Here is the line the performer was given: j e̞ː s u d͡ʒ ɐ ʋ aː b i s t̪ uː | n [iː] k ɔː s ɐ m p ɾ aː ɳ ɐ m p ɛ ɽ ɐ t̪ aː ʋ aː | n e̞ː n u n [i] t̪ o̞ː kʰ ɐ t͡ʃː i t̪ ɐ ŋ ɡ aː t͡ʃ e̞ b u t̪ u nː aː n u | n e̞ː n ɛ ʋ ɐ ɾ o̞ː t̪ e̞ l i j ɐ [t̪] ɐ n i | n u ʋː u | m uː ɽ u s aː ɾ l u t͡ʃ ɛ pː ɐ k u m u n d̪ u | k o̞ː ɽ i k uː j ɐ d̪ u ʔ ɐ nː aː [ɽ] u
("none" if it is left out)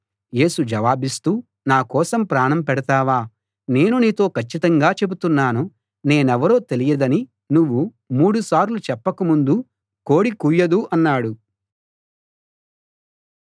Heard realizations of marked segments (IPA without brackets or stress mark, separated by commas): aː, iː, d̪, ɽ